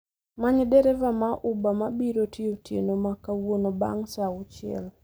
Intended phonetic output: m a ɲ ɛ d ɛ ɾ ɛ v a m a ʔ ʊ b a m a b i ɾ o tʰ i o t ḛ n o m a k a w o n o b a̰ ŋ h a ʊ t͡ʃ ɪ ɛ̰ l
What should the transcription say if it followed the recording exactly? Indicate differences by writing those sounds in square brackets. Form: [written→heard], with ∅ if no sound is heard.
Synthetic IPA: m a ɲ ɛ d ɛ ɾ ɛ v a m a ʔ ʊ b a m a b i ɾ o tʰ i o t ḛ n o m a k a w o n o b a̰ ŋ [h→s] a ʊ t͡ʃ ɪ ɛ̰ l